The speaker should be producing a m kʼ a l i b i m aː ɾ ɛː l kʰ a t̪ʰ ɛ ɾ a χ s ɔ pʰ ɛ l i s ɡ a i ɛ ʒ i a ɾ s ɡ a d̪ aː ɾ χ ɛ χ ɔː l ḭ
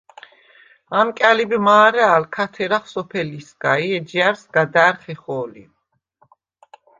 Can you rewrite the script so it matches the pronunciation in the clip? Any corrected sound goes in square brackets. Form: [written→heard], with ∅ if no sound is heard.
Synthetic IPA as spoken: a m kʼ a l i b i m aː ɾ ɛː l kʰ a t̪ʰ ɛ ɾ a χ s ɔ pʰ ɛ l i s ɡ a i ɛ [ʒ→d͡ʒ] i a ɾ s ɡ a d̪ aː ɾ χ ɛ χ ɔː l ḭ